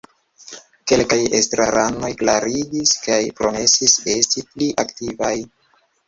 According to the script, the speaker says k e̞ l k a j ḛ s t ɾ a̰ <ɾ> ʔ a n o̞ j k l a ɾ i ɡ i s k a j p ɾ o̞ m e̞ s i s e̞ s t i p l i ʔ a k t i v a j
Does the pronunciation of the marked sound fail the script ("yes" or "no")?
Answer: no